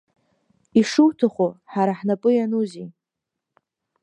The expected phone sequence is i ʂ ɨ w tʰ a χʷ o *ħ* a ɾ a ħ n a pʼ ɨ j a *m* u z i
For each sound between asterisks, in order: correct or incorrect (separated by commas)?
correct, incorrect